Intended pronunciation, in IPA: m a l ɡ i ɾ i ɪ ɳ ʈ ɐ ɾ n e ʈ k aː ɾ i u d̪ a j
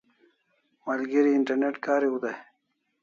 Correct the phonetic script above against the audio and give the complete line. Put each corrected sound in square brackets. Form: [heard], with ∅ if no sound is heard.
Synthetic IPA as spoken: m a l ɡ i ɾ i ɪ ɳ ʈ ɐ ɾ n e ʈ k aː ɾ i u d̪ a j